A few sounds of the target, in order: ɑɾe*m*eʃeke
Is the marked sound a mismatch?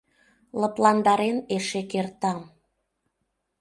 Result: yes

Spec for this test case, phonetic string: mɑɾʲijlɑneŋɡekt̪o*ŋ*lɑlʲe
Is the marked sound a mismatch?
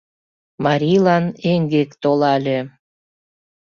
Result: yes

